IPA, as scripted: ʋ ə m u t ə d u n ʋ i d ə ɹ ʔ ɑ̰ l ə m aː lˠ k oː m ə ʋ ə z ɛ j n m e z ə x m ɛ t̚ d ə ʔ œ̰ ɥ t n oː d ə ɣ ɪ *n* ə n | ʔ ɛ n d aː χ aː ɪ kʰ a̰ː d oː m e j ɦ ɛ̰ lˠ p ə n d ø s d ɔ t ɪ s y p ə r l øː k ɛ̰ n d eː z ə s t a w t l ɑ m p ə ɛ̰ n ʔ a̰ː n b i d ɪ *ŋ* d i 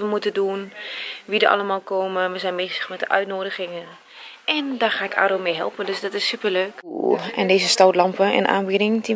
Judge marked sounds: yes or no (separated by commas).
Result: no, yes